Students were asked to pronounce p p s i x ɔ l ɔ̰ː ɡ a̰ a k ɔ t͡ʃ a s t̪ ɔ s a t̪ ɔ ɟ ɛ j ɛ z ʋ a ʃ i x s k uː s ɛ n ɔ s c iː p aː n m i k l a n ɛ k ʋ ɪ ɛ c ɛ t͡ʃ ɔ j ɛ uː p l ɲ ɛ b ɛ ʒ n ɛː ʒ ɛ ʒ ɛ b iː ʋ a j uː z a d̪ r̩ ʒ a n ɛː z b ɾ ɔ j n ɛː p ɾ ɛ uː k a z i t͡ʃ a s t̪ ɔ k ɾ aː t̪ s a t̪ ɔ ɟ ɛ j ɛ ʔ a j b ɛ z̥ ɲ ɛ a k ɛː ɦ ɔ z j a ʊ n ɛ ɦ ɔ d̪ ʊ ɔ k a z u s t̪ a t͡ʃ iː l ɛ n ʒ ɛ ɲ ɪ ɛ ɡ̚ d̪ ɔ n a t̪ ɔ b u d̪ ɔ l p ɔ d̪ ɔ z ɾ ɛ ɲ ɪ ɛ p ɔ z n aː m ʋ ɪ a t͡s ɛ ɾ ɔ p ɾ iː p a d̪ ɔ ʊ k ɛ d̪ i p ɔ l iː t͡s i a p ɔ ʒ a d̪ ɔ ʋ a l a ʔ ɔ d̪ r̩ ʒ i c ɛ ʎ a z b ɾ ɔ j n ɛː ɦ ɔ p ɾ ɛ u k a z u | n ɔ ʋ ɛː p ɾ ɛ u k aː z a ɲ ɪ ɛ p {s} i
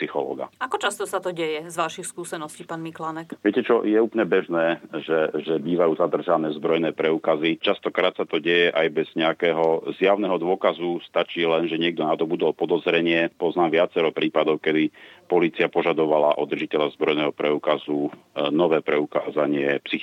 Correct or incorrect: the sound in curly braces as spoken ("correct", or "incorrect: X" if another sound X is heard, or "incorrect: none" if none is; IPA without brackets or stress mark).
correct